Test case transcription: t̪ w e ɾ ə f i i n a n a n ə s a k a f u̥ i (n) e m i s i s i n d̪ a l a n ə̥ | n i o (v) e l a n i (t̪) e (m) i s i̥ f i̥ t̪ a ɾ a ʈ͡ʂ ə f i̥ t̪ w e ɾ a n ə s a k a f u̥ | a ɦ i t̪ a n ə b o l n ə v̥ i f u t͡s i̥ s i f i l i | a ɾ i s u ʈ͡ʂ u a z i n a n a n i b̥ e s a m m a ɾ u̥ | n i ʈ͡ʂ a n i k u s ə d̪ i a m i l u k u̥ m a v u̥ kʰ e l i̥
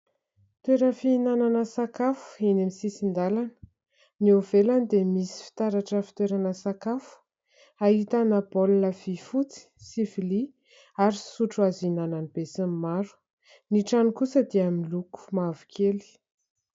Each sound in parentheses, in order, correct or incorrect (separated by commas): correct, correct, incorrect, correct